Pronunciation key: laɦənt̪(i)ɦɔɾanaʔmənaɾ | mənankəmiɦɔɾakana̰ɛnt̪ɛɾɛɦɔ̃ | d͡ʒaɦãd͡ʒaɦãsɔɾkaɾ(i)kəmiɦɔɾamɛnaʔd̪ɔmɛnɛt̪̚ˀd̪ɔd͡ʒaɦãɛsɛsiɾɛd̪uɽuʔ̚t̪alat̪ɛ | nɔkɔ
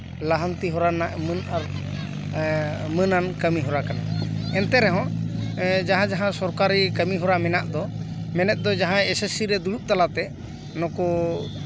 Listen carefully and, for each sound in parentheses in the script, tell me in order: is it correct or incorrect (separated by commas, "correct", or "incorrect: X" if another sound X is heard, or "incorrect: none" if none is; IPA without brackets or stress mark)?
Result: correct, correct